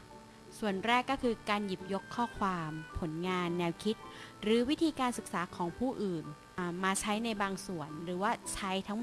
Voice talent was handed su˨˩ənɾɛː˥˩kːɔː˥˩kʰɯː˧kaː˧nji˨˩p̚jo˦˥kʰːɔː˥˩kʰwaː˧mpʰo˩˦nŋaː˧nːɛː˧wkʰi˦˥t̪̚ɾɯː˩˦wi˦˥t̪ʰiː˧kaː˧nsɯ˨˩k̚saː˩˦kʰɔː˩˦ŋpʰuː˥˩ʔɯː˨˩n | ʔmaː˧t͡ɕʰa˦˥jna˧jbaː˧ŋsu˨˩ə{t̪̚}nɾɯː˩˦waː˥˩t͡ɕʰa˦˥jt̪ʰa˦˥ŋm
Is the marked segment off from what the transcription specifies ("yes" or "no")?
yes